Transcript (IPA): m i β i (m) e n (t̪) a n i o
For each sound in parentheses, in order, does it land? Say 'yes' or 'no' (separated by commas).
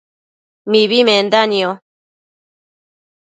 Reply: yes, no